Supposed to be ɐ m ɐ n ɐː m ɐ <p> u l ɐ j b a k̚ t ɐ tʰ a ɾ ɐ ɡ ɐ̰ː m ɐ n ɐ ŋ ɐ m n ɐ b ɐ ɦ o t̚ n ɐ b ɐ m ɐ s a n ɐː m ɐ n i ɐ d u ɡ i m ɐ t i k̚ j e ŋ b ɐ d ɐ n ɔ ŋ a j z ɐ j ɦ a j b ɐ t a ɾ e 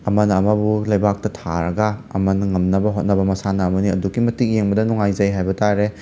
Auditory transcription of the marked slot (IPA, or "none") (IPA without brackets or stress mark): b